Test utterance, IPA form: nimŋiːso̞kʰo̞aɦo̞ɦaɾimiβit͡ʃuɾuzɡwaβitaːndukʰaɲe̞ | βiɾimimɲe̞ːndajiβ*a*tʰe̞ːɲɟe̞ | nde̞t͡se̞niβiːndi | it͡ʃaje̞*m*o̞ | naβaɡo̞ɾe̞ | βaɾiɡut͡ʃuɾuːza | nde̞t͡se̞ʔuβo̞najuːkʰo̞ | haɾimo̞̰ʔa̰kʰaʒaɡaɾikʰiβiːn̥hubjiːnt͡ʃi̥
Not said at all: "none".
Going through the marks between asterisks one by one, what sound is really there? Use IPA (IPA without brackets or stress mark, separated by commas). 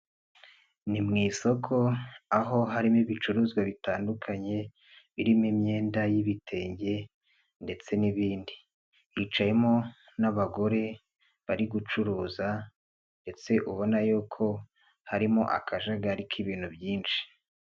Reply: i, m